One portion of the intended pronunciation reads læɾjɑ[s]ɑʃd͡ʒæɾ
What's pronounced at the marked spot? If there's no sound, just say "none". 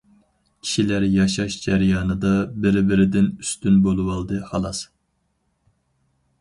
ʃ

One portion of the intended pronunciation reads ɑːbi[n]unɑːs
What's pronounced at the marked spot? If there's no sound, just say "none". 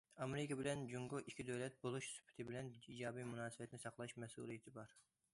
m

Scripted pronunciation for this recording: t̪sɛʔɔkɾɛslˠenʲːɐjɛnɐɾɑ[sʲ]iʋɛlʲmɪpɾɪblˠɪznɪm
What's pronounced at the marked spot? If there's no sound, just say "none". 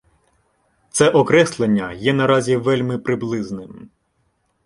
zʲ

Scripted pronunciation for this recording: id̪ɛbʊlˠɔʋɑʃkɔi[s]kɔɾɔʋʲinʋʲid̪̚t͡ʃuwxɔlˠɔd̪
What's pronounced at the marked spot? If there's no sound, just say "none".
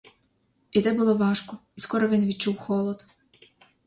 s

